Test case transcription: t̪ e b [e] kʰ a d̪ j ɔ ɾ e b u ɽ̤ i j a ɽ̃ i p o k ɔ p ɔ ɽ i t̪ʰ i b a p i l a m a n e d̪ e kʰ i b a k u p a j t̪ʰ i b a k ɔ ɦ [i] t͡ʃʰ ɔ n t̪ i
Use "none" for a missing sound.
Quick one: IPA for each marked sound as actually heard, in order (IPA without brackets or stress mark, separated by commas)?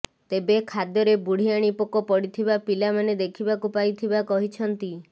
e, i